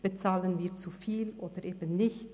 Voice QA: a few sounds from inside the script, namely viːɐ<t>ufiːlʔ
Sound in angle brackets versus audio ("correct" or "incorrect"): incorrect